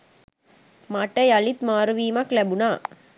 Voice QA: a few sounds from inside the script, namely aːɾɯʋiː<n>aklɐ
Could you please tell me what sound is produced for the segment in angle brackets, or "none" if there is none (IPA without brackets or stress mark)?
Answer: m